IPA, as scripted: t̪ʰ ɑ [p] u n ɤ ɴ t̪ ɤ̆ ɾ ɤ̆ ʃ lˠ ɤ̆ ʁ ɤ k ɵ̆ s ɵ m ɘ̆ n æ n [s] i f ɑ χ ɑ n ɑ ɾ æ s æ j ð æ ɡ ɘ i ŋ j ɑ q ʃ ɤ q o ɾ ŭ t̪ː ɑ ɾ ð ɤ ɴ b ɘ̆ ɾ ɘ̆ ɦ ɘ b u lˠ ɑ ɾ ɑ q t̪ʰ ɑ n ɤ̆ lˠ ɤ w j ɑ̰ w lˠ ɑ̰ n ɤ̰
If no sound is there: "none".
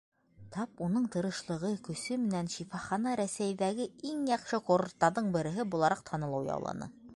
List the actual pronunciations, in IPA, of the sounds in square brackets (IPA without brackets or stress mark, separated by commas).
p, ʃ